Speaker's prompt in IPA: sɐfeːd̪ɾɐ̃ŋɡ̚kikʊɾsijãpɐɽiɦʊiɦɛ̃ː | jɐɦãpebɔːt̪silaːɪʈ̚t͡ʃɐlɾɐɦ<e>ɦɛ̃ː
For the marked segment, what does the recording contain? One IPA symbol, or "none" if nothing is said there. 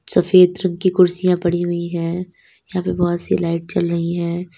i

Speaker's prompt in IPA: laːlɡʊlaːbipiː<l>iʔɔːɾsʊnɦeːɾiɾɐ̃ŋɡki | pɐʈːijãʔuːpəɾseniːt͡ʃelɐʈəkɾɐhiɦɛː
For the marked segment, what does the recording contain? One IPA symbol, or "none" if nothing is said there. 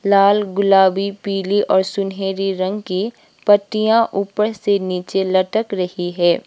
l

